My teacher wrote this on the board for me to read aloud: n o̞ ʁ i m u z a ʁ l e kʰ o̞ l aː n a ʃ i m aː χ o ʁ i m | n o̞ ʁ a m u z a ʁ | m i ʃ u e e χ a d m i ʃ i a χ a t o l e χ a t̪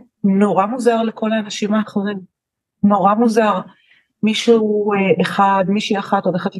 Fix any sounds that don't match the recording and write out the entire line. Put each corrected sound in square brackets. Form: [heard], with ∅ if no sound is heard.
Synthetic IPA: n o̞ ʁ [a] m u z a ʁ l e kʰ o̞ l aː n a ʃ i m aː χ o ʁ i m | n o̞ ʁ a m u z a ʁ | m i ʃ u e e χ a d m i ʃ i a χ a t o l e χ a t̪